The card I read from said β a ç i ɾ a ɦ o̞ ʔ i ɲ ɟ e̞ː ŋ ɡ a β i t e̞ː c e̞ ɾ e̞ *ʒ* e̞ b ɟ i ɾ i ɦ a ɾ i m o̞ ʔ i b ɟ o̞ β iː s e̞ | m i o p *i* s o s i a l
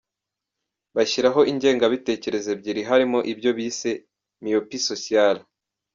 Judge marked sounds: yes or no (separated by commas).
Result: no, yes